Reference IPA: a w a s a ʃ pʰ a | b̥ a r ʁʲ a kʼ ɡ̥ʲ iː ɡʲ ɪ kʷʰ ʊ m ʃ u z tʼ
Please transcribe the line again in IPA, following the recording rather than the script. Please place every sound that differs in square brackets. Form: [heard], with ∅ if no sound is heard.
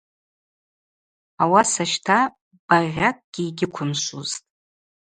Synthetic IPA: a w a s a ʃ [tʰ] a | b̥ a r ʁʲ a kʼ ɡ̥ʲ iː ɡʲ ɪ kʷʰ ʊ m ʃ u z tʼ